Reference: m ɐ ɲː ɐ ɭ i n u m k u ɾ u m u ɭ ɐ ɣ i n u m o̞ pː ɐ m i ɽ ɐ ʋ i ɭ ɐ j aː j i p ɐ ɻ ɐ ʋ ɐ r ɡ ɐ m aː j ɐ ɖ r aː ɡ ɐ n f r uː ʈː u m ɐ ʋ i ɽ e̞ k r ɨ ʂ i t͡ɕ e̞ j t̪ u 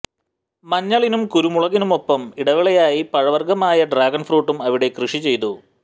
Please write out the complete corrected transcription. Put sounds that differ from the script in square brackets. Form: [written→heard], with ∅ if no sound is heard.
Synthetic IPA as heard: m ɐ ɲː ɐ ɭ i n u m k u ɾ u m u ɭ ɐ ɣ i n u m o̞ pː ɐ m i ɽ ɐ ʋ i ɭ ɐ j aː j i p ɐ ɻ ɐ ʋ ɐ r ɡ ɐ m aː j ɐ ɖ r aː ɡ ɐ n f r uː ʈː u m ɐ ʋ i ɽ e̞ k r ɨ ʂ i t͡ɕ e̞ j t̪ u